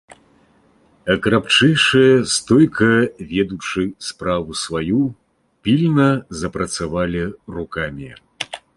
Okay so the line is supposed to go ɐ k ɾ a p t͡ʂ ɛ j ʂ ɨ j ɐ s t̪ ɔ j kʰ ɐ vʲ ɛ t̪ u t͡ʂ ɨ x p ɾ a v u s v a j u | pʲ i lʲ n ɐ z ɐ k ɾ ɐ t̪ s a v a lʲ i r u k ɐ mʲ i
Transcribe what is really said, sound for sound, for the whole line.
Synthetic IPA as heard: ɐ k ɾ a p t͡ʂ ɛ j ʂ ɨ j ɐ s t̪ ɔ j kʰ ɐ vʲ ɛ d̪ u t͡ʂ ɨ s p ɾ a v u s v a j u | pʲ i lʲ n ɐ z ɐ p ɾ ɐ t̪ s a v a lʲ i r u k a mʲ i